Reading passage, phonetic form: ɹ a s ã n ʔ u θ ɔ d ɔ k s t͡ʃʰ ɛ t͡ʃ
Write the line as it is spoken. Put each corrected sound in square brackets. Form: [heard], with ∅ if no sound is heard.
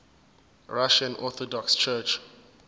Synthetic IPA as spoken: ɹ a [ʃ] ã n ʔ [ɔ] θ ɔ d ɔ k s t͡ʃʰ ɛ t͡ʃ

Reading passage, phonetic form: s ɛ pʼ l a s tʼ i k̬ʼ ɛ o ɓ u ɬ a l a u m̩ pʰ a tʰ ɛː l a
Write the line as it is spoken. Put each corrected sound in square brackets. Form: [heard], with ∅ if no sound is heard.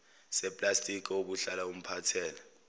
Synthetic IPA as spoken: s ɛ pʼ l a s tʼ i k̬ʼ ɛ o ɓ u ɬ a l a u m̩ pʰ a tʰ ɛː l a

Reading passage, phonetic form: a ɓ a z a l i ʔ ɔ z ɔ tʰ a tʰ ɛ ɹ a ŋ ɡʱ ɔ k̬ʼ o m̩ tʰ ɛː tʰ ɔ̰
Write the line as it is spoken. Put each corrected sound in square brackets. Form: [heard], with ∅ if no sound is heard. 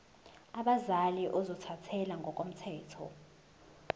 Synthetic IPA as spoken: a ɓ a z a l i ʔ ɔ z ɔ tʰ a tʰ ɛ [l] a ŋ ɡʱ ɔ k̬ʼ o m̩ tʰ ɛː tʰ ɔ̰

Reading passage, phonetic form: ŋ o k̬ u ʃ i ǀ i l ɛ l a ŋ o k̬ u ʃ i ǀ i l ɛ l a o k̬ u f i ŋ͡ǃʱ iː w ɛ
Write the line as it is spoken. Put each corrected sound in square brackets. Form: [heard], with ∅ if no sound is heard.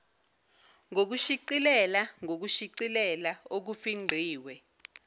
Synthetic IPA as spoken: ŋ o k̬ u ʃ i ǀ i l ɛ l a ŋ o k̬ u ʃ i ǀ i l ɛ l a o k̬ u f i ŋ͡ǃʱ iː w ɛ

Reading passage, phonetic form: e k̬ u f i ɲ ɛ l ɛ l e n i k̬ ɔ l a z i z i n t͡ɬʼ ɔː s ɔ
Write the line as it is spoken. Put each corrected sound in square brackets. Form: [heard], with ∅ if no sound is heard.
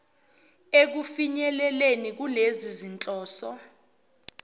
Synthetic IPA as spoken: e k̬ u f i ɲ ɛ l ɛ l e n i k̬ [u] l [e] z i z i n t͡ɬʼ ɔː s ɔ

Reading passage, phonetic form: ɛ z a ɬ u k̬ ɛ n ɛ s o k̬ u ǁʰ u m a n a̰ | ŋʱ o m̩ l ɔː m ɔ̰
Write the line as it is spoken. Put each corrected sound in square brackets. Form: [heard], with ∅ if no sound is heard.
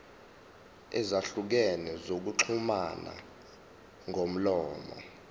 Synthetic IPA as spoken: ɛ z a ɬ u k̬ ɛ n ɛ [z] o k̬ u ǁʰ u m a n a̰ | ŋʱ o m̩ l ɔː m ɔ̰

